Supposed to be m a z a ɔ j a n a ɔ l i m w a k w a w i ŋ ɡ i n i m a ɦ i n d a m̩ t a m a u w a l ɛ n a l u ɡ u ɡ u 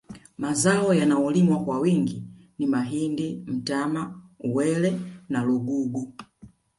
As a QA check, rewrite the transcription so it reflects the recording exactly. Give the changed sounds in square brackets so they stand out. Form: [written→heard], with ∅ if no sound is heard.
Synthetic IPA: m a z a ɔ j a n a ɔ l i m w a k w a w i ŋ ɡ i n i m a ɦ i n d [a→i] m̩ t a m a u w [a→ɛ] l ɛ n a l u ɡ u ɡ u